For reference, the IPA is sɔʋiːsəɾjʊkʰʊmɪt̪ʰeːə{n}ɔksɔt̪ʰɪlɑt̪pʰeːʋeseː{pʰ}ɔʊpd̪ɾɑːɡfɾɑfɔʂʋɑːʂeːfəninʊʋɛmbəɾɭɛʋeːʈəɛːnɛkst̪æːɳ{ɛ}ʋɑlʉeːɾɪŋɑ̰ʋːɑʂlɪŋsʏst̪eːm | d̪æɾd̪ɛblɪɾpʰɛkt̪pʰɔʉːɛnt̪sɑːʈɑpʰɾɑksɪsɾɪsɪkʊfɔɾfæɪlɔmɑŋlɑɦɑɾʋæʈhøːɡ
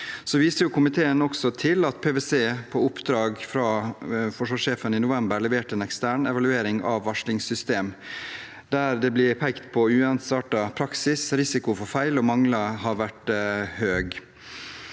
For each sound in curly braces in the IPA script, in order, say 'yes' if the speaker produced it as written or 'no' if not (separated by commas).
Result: yes, yes, yes